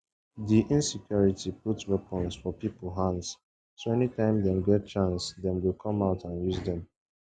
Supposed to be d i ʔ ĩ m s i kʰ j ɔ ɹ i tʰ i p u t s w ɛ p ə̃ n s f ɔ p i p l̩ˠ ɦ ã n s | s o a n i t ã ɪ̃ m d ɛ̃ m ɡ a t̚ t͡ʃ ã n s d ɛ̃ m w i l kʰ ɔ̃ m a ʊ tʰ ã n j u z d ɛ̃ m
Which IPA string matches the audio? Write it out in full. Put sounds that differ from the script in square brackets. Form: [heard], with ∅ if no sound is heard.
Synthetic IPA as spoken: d i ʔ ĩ [n] s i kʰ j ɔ ɹ i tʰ i p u t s w ɛ p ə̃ n s f ɔ p i p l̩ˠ ɦ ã n s | s o [ɛ] n i t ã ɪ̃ m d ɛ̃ m ɡ [ɛ] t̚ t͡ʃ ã n s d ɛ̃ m w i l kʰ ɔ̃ m a ʊ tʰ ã n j u z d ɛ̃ m